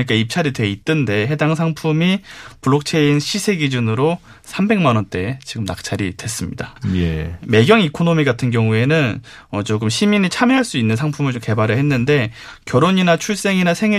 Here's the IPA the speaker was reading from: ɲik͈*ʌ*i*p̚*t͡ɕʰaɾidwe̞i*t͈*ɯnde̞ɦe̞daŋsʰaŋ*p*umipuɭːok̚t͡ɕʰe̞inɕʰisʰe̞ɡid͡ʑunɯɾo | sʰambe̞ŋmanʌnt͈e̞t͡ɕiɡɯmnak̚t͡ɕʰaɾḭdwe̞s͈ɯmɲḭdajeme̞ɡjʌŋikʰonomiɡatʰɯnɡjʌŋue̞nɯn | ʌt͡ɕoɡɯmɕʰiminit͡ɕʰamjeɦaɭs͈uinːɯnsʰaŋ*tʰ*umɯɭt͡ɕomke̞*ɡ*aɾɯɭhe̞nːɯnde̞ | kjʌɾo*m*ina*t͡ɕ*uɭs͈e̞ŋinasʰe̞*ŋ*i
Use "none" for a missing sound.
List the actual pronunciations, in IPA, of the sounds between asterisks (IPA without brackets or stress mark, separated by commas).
a, p̚, t͈, pʰ, pʰ, b, ɲ, t͡ɕʰ, ŋ